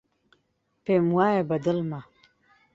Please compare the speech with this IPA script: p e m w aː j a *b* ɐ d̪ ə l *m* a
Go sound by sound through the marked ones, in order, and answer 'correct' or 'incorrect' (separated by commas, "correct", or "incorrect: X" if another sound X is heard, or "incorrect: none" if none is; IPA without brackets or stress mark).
correct, correct